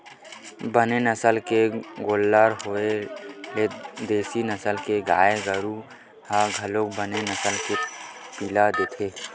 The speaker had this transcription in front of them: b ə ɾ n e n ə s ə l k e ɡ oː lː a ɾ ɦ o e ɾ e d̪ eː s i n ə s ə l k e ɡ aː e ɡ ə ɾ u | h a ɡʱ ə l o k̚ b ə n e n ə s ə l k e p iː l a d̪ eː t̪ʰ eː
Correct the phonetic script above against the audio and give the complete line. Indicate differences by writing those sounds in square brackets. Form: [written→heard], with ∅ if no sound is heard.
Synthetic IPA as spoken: b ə [ɾ→∅] n e n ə s ə l k e ɡ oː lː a ɾ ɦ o e [ɾ→l] e d̪ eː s i n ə s ə l k e ɡ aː e ɡ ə ɾ u | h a ɡʱ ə l o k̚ b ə n e n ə s ə l k e p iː l a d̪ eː t̪ʰ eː